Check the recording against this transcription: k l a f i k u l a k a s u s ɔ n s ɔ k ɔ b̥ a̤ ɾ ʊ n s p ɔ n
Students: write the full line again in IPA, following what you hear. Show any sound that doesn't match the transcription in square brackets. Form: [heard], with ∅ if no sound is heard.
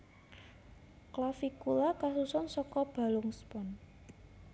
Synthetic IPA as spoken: k l a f i k u l a k a s u s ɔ n s ɔ k ɔ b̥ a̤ [l] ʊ [ŋ] s p ɔ n